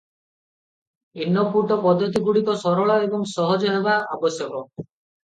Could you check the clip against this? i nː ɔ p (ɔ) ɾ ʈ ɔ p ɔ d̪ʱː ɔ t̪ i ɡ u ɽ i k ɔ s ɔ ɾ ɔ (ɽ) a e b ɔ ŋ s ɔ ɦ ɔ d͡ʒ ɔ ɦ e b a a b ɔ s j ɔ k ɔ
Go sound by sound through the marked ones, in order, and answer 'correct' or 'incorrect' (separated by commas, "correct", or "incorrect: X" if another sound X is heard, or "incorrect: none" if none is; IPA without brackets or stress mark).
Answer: incorrect: u, incorrect: ɭ